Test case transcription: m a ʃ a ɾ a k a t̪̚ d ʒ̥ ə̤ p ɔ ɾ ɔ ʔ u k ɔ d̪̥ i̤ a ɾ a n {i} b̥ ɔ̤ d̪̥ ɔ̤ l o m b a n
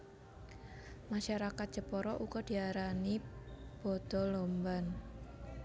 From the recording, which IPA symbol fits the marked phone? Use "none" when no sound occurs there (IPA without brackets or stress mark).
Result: i